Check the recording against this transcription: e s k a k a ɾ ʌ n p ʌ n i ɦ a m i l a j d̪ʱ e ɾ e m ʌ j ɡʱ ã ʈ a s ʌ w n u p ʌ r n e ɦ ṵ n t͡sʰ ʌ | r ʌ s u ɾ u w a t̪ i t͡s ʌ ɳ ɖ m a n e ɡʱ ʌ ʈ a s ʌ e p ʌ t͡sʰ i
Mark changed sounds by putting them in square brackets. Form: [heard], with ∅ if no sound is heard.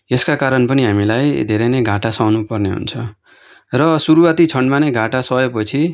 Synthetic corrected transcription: e s k a k a ɾ ʌ n p ʌ n i ɦ a m i l a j d̪ʱ e ɾ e [n] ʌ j ɡʱ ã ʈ a s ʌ w n u p ʌ r n e ɦ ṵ n t͡sʰ ʌ | r ʌ s u ɾ u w a t̪ i [t͡sʰ] ʌ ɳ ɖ m a n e ɡʱ [a] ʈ a s ʌ e p ʌ t͡sʰ i